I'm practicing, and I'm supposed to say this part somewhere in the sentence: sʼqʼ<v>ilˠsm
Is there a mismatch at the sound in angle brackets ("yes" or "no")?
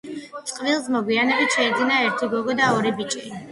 no